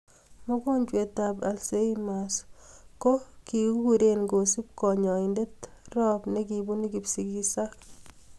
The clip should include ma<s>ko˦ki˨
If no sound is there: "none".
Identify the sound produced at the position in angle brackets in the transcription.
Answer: s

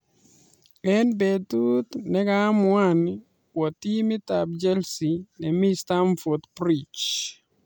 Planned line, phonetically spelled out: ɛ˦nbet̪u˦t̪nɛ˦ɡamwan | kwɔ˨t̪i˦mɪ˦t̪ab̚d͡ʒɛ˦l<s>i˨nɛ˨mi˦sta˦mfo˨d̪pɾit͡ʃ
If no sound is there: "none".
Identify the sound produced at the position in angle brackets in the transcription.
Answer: s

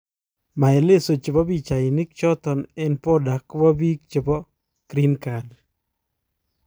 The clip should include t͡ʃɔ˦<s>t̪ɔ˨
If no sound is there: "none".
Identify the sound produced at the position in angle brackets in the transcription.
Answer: none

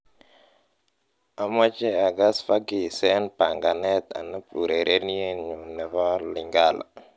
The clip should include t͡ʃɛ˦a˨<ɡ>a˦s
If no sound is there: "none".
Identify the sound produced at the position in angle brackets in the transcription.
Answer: ɡ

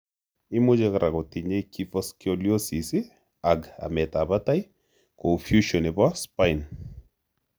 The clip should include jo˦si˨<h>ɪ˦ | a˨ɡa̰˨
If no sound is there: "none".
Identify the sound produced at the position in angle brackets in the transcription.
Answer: s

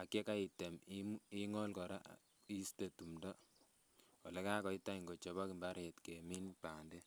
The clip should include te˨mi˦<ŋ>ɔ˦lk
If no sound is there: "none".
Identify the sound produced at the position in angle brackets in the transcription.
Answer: ŋ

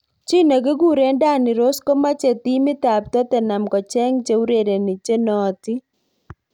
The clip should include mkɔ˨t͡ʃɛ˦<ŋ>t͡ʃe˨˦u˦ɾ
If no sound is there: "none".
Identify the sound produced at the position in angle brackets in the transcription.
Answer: ŋ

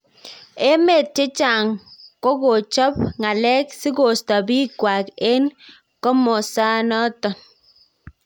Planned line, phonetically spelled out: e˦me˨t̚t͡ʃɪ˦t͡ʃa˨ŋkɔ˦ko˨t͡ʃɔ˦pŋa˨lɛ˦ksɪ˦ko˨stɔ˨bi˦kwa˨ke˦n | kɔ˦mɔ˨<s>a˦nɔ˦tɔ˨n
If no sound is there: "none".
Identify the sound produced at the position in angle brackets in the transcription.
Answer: s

